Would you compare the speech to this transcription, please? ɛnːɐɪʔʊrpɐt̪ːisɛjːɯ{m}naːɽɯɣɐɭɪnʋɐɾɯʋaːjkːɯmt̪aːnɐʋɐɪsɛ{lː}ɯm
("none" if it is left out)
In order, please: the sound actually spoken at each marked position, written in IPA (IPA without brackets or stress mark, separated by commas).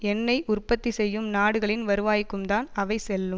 m, lː